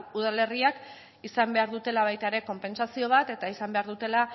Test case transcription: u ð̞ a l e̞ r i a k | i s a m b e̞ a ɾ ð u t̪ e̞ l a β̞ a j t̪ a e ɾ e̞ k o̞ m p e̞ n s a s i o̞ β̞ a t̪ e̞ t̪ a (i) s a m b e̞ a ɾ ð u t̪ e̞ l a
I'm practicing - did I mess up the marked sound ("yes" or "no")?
no